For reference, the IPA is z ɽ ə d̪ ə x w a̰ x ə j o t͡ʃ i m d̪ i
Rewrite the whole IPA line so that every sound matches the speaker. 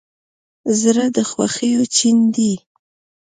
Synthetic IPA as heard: z ɾ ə d̪ ə x w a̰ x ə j o t͡ʃ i n d̪ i